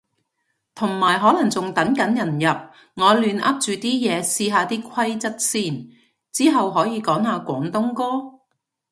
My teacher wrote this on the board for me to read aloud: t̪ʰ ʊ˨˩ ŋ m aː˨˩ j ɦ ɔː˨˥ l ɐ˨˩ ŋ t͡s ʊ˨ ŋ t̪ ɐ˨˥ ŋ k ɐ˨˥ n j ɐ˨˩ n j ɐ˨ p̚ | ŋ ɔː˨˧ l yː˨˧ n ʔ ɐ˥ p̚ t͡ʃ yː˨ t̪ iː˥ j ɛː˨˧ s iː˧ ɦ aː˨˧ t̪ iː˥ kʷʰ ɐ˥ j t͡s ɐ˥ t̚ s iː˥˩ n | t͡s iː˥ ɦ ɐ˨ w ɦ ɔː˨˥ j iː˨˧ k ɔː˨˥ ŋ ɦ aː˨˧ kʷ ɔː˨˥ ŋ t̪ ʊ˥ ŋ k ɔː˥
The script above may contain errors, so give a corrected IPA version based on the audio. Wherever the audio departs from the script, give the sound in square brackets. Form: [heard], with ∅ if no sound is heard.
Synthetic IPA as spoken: t̪ʰ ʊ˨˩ ŋ m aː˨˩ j ɦ ɔː˨˥ l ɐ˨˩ ŋ t͡s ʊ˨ ŋ t̪ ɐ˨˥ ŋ k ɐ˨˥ n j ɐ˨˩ n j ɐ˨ p̚ | ŋ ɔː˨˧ l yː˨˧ n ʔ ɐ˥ p̚ t͡ʃ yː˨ t̪ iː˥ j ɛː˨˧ s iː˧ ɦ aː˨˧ t̪ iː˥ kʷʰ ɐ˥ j t͡s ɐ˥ t̚ s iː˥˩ n | t͡s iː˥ ɦ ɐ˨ w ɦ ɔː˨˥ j iː˨˧ k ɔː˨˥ ŋ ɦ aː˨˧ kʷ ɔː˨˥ ŋ t̪ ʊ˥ ŋ k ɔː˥